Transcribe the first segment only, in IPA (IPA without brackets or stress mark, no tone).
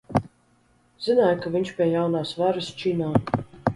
z